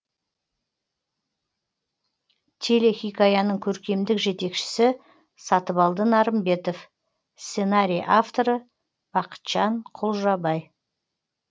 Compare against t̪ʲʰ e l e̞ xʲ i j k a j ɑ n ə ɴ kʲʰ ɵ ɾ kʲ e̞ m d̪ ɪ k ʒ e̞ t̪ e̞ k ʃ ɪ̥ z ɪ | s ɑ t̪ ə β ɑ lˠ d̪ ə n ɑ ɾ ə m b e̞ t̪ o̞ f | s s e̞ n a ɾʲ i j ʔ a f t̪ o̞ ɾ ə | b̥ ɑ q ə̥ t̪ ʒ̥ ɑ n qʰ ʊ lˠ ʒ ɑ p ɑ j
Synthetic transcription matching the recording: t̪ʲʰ e l e̞ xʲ i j k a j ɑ n ə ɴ kʲʰ ɵ ɾ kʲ e̞ m d̪ ɪ k ʒ e̞ t̪ e̞ k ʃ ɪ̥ s ɪ | s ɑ t̪ ə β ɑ lˠ d̪ ə n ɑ ɾ ə m b e̞ t̪ o̞ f | s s e̞ n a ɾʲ i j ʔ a f t̪ o̞ ɾ ə | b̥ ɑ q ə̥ t̪ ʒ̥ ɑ ɴ qʰ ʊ lˠ ʒ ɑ b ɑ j